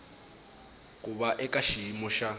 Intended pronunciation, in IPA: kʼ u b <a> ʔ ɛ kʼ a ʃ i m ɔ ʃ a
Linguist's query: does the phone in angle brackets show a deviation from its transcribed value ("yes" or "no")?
no